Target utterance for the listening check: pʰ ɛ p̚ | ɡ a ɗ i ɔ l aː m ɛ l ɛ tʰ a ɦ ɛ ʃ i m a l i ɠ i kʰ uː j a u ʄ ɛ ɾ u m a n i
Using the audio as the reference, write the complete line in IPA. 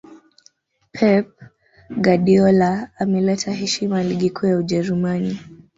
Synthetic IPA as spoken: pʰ ɛ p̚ | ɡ a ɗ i ɔ l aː m ɛ l ɛ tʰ a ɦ ɛ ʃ i m a l i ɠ i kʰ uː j a u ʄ ɛ ɾ u m a n i